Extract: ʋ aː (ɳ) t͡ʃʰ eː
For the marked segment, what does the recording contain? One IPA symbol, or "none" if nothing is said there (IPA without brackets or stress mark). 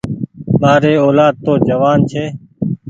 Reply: n